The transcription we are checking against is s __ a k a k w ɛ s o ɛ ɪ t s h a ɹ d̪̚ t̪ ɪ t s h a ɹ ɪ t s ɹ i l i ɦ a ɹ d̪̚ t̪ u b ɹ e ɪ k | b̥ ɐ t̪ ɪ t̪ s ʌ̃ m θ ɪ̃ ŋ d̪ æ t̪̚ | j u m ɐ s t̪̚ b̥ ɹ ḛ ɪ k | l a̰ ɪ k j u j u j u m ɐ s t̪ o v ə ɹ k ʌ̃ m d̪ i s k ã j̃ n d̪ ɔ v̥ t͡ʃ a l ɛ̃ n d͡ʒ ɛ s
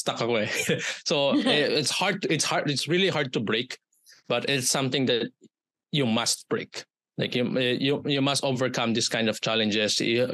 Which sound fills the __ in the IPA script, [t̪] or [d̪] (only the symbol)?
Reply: t̪